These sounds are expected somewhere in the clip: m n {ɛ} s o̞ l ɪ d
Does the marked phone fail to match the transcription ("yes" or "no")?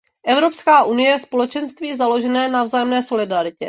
yes